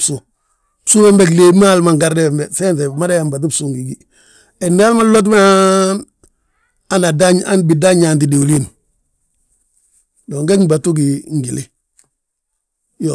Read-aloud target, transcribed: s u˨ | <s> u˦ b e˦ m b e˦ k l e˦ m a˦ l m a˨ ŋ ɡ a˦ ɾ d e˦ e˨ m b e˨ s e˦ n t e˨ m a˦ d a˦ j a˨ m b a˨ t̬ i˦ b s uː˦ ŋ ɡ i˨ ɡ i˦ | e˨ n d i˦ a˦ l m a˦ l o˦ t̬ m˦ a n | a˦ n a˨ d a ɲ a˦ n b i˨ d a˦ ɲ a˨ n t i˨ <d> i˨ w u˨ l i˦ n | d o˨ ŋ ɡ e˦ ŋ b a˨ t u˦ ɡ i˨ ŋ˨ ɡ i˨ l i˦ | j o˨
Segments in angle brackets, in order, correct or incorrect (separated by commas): correct, correct